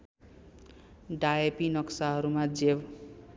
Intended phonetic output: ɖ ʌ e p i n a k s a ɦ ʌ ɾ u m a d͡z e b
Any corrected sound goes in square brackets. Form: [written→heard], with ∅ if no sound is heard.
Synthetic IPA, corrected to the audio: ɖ [ʌ→a] e p i n [a→ʌ] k s a ɦ ʌ ɾ u m a d͡z e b